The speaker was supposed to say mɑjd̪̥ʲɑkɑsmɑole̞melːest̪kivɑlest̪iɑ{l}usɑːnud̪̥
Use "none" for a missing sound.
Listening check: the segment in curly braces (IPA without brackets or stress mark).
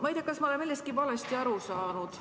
ɾ